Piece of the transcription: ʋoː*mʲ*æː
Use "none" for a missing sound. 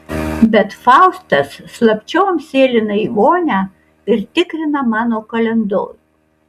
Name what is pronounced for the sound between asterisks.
nʲ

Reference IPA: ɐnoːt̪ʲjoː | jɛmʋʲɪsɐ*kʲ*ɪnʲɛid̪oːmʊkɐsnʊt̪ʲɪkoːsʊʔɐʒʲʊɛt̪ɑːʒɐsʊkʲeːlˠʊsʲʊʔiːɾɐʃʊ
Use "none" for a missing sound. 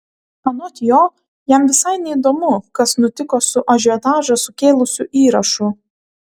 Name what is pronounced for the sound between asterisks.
none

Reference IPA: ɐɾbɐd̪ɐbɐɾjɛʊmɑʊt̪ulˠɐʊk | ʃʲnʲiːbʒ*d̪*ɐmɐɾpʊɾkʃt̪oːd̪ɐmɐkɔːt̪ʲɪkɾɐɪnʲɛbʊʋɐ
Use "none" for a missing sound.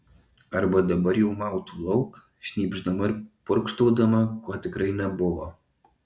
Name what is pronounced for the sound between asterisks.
d̪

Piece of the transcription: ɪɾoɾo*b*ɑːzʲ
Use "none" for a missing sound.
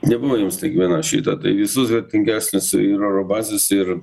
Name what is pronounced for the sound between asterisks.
b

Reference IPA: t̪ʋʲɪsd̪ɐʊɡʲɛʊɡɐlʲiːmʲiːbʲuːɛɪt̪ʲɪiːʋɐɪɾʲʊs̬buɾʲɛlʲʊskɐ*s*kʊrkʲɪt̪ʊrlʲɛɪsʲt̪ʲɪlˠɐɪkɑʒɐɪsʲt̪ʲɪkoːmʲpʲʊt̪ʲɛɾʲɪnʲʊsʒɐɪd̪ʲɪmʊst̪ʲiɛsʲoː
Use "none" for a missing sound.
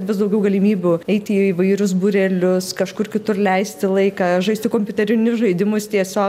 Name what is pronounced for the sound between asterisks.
ʃ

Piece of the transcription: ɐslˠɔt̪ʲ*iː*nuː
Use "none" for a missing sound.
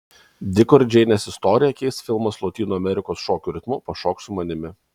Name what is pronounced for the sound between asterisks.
iː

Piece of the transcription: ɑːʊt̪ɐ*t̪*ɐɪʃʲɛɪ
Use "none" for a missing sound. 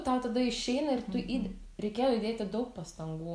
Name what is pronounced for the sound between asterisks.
d̪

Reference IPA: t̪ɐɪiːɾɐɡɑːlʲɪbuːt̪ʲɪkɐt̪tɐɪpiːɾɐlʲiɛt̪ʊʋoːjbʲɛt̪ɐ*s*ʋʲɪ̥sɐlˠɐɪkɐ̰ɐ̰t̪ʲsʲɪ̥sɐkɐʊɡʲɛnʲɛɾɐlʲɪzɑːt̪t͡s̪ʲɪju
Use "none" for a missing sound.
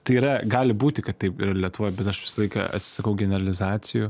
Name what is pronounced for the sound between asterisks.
ʃ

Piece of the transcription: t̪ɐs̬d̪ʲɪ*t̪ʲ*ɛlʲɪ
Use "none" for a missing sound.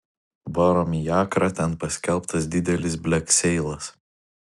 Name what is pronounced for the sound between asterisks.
d̪ʲ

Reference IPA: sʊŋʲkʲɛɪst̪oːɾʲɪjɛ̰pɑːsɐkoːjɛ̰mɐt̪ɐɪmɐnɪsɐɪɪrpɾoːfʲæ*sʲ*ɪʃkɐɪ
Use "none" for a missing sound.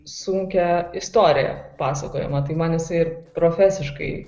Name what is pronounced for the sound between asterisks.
sʲ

